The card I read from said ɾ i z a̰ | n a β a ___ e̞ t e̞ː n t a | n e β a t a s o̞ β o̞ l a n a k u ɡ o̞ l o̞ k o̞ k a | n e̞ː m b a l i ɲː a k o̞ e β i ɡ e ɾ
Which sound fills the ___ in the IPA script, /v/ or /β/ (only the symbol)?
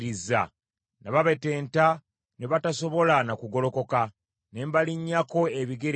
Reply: β